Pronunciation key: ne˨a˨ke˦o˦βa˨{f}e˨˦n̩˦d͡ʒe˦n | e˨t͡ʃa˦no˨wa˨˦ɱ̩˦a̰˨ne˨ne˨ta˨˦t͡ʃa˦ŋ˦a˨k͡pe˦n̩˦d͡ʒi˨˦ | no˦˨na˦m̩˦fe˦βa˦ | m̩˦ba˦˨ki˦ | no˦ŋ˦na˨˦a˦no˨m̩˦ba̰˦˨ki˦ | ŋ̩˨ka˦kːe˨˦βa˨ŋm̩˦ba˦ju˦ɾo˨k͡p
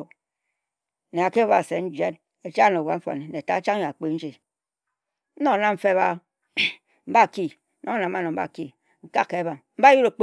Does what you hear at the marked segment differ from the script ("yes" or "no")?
yes